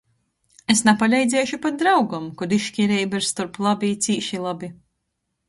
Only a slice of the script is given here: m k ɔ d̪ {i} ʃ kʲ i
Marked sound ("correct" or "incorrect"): correct